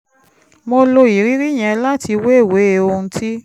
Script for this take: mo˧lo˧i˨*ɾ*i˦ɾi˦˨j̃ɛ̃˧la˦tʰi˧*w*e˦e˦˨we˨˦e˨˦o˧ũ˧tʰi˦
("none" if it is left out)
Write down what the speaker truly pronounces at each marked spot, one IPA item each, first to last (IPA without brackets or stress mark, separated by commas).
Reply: ɾ, w